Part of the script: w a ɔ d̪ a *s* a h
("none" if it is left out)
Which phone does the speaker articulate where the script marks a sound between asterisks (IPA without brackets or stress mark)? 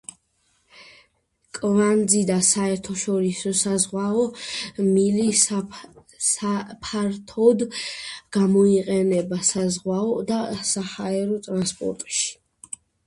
s